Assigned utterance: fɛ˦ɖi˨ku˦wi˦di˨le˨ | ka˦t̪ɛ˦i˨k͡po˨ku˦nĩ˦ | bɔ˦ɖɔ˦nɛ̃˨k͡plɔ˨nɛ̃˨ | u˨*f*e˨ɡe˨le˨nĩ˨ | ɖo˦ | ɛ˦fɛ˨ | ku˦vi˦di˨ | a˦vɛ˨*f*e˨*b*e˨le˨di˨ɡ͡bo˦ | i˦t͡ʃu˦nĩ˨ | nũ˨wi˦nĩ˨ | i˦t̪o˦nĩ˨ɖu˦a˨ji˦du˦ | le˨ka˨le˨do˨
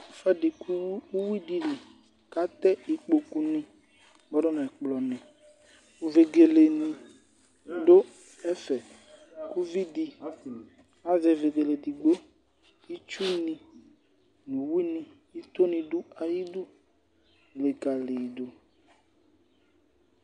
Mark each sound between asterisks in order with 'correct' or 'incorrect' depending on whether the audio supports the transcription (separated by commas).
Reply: incorrect, incorrect, incorrect